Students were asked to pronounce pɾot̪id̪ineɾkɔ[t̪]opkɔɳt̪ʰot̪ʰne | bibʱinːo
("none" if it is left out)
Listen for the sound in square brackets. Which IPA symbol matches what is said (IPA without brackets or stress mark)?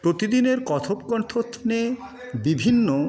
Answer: t̪ʰ